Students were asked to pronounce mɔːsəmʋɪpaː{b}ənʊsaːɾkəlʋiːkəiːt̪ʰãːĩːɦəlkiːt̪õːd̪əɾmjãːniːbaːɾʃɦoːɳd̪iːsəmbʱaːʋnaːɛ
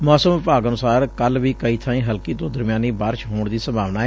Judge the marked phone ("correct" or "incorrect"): incorrect